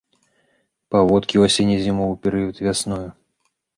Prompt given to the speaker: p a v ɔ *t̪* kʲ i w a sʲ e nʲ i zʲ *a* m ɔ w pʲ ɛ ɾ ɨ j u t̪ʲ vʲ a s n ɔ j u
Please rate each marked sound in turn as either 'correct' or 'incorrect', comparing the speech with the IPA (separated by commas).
correct, incorrect